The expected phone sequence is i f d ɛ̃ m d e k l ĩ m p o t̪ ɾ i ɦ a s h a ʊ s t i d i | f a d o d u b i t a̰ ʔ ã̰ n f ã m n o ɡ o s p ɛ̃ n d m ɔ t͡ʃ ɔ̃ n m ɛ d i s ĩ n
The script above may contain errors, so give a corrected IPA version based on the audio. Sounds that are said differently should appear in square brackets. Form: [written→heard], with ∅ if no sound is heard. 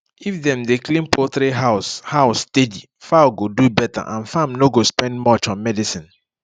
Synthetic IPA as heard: i f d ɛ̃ m d e k l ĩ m p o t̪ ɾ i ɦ a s h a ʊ s t [i→e] d i | f a [d→ɡ] o d u b [i→ɛ] t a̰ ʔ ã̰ n f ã m n o ɡ o s p ɛ̃ n d m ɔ t͡ʃ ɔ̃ n m ɛ d i s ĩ n

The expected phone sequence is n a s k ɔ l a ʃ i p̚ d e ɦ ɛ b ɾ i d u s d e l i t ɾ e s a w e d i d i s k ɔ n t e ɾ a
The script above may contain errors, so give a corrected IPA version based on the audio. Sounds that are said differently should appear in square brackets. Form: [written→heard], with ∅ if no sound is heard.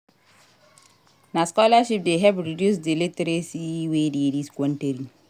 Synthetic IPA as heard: n a s k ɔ l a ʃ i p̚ d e ɦ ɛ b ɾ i d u s d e l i t ɾ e s [a→i] w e d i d i s k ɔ n t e ɾ [a→i]

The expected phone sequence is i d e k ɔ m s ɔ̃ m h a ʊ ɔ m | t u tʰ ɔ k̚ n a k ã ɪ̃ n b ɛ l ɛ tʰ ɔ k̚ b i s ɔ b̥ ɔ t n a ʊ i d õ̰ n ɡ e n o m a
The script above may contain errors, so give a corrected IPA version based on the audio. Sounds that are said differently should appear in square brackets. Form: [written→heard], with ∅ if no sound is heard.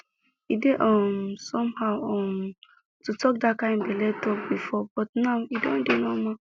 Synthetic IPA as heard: i d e [k→ʔ] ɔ m s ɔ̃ m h a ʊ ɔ m | t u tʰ ɔ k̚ [n→d] a k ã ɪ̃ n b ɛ l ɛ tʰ ɔ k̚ b i [s→f] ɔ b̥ ɔ t n a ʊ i d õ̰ n [ɡ→d] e n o m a

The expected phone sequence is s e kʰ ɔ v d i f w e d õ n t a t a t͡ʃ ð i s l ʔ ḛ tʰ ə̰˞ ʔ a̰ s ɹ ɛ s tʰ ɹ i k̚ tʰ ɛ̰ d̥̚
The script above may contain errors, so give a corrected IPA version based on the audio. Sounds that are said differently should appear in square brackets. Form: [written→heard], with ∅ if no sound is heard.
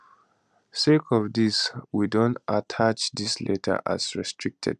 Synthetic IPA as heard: s e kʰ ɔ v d i [f→s] w [e→i] d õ n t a [t→tʰ] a t͡ʃ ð i s l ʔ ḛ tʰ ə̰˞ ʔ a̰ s ɹ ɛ s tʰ ɹ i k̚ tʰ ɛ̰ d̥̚

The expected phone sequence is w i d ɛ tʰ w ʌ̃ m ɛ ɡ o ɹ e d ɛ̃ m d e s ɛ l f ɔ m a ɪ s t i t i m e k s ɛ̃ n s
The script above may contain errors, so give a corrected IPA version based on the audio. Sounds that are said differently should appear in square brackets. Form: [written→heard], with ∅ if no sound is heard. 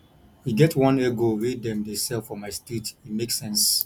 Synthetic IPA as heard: w i [d→ɡ] ɛ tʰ w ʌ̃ [m→n] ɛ ɡ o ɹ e d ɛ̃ m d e s ɛ l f ɔ m a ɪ s t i t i m e k s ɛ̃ n s

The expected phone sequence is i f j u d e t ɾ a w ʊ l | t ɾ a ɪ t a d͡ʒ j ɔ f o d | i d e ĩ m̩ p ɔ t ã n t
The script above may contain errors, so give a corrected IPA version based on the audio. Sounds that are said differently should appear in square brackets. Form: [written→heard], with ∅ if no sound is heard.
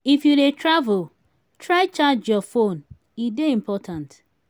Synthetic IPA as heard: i f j u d e t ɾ a [w→v] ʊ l | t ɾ a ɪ [t→t͡ʃ] a d͡ʒ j ɔ f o [d→n] | i d e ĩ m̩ p ɔ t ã n t

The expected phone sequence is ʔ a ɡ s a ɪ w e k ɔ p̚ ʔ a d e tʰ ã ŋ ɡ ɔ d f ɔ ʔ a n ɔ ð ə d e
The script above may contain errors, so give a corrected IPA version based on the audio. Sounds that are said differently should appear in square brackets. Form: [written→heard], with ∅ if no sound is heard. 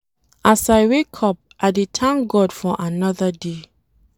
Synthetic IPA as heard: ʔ a [ɡ→∅] s a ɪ w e [k→kʰ] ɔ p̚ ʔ a d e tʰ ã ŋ ɡ ɔ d f ɔ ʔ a n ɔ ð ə d e

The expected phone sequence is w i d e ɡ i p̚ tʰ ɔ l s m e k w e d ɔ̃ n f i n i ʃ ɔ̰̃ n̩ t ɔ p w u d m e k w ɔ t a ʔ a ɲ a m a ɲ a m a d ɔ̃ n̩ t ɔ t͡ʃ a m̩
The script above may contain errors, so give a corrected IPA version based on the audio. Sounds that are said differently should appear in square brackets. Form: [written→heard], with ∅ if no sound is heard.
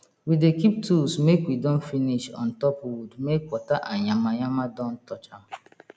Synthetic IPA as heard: w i d e [ɡ→k] i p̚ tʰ [ɔ→u] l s m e k w [e→i] d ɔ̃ n f i n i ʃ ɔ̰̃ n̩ t ɔ p w u d m e k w ɔ t a ʔ a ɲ a m a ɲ a m a d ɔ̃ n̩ t ɔ t͡ʃ a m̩

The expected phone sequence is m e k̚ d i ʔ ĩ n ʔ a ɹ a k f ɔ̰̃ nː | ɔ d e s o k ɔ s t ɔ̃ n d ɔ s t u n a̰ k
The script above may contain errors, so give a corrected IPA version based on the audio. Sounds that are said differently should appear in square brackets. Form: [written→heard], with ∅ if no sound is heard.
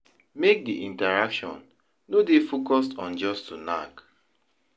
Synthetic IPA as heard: m e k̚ d i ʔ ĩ n [ʔ→t] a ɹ a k [f→ʃ] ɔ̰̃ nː | [ɔ→o] d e [s→f] o k ɔ s t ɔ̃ n [d→d͡ʒ] ɔ s t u n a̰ k

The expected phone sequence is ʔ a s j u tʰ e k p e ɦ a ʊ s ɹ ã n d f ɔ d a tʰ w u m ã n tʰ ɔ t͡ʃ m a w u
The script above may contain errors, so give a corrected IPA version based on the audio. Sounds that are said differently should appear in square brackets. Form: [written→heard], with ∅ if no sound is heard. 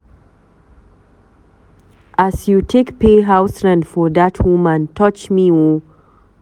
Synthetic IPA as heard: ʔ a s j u tʰ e k p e ɦ a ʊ s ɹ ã n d f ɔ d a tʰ w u m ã n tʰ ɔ t͡ʃ m [a→i] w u

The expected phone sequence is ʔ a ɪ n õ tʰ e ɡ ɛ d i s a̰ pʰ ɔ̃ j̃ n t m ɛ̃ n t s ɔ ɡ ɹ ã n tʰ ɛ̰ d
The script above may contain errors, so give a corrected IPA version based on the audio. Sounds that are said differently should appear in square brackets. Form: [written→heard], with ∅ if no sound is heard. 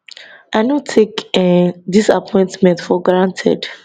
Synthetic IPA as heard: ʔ a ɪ n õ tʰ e [ɡ→k] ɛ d i s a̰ pʰ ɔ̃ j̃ n t m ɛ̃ n t [s→f] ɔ ɡ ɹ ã n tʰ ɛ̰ d

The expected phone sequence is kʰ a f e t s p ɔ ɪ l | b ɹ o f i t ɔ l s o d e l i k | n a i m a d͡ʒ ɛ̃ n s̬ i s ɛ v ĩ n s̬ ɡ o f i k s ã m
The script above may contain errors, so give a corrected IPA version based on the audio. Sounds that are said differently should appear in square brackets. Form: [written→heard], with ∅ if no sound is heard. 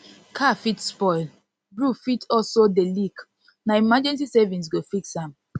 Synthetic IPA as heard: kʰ a f [e→i] t s p ɔ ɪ l | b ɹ [o→u] f i t ɔ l s o d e l i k | n a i m a d͡ʒ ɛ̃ n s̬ i s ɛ v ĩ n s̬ ɡ o f i k s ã m

